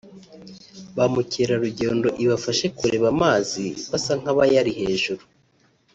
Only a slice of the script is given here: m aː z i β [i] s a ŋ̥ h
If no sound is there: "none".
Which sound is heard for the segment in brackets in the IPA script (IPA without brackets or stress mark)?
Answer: a